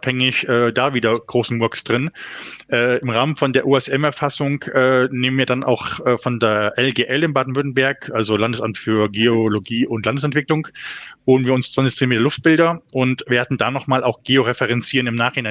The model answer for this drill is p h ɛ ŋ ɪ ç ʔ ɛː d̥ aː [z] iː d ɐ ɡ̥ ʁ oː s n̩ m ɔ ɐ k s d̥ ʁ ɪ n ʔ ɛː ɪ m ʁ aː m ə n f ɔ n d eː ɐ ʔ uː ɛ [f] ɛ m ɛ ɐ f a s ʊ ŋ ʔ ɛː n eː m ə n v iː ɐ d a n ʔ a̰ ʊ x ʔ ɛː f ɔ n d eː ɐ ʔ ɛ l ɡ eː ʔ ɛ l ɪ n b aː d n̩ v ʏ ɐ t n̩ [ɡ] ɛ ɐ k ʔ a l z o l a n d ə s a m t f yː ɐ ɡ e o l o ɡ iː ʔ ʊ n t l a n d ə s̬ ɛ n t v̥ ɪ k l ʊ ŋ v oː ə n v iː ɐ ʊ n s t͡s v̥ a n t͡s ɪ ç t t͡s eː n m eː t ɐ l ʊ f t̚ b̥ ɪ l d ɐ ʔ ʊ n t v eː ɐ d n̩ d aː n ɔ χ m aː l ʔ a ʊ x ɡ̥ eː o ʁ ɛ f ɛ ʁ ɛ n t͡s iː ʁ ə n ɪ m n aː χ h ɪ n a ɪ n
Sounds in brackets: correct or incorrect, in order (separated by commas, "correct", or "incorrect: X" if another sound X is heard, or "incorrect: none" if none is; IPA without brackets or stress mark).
incorrect: v, incorrect: s, incorrect: b